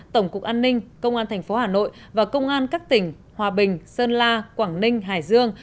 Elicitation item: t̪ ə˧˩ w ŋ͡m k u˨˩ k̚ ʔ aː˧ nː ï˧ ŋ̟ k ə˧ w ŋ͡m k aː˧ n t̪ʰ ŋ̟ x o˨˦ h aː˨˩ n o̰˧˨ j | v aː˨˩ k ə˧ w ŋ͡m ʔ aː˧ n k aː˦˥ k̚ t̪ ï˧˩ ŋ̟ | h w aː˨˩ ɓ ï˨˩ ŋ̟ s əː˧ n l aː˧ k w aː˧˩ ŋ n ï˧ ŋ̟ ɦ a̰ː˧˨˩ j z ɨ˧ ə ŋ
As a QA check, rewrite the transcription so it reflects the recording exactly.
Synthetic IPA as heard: t̪ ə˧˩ w ŋ͡m k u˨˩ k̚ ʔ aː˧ nː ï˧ ŋ̟ k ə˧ w ŋ͡m ʔ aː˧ n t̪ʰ ŋ̟ f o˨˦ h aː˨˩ n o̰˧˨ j | v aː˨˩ k ə˧ w ŋ͡m ʔ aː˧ n k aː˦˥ k̚ t̪ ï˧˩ ŋ̟ | h w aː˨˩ ɓ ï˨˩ ŋ̟ s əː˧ n l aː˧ k w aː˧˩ ŋ n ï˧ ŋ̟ ɦ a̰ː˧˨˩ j z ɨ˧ ə ŋ